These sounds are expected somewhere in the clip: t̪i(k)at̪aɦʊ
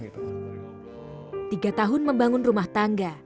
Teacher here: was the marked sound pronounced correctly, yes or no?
no